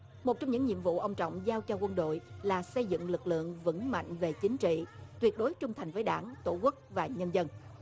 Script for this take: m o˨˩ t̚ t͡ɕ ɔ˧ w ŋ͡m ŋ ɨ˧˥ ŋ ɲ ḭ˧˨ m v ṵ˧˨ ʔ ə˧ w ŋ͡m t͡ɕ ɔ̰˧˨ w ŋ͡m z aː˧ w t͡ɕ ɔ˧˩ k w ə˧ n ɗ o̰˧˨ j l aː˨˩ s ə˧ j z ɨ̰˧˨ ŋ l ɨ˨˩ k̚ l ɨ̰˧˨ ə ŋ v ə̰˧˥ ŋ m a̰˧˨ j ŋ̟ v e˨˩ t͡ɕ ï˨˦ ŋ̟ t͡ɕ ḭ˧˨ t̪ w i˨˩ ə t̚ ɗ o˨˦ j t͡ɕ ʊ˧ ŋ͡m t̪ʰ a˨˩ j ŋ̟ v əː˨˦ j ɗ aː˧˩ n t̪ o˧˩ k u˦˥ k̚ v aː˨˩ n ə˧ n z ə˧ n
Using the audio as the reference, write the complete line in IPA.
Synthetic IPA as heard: m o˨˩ t̚ t͡ɕ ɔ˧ w ŋ͡m ɲ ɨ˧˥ ŋ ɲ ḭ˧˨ m v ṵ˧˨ ʔ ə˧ w ŋ͡m t͡ɕ ɔ̰˧˨ w ŋ͡m z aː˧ w t͡ɕ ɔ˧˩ k w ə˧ n ɗ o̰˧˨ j l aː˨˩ s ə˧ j z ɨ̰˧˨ ŋ l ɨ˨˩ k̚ l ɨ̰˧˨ ə ŋ v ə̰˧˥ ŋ m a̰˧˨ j ŋ̟ v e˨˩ t͡ɕ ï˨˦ ŋ̟ t͡ɕ ḭ˧˨ t̪ w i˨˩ ə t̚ ɗ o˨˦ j t͡ɕ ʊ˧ ŋ͡m t̪ʰ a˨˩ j ŋ̟ v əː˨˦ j ɗ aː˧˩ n t̪ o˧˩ k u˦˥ k̚ v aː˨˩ ɲ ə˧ n z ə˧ n